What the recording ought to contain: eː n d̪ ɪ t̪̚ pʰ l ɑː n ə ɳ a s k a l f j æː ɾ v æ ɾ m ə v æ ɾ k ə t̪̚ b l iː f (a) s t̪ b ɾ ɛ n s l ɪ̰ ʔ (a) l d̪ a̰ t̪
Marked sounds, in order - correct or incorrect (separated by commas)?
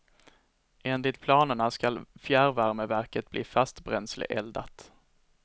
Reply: correct, incorrect